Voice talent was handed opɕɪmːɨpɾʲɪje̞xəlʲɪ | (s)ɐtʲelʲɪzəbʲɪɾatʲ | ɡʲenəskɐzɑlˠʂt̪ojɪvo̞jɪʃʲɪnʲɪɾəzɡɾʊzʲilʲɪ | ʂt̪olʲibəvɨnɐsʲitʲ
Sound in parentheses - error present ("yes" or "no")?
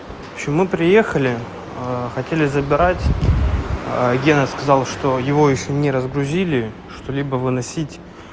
yes